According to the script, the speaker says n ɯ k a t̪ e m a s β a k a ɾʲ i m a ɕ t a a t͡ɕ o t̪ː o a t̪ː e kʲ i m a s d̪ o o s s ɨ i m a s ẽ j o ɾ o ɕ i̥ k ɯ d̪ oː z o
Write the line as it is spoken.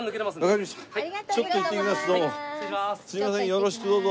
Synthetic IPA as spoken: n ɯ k e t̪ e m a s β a k a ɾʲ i m a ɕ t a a t͡ɕ o t̪ː o i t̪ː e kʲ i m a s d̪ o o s s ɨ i m a s ẽ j o ɾ o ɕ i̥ k ɯ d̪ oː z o